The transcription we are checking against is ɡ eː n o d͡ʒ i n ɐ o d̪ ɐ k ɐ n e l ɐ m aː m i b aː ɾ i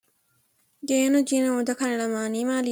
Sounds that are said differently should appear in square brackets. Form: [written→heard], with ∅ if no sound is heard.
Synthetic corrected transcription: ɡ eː n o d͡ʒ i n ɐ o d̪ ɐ k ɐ n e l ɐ m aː [m→n] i [b→m] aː [ɾ→l] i